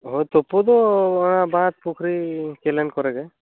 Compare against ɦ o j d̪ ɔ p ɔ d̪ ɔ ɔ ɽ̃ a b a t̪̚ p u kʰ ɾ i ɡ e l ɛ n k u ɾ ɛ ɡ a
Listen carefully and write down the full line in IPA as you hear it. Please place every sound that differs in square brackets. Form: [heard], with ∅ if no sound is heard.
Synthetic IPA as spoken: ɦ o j [t̪] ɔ p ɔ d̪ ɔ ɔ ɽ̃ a b a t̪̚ p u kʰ ɾ i [k] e l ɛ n k [ɔ] ɾ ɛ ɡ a